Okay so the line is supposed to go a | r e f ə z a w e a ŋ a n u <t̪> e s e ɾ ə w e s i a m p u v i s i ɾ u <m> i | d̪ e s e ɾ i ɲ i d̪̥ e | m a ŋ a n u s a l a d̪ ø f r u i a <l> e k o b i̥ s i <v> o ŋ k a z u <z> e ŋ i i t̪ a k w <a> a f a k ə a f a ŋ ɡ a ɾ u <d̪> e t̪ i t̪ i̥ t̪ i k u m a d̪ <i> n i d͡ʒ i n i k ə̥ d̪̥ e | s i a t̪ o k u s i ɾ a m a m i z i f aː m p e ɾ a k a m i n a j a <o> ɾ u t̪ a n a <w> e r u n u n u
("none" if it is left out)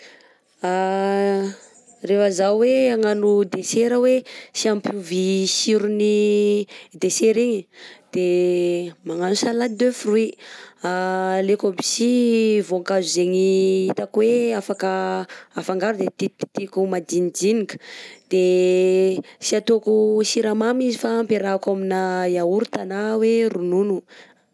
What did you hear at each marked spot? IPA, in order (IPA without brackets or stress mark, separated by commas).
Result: d̪, n, l, v, z, e, d̪, i, u, w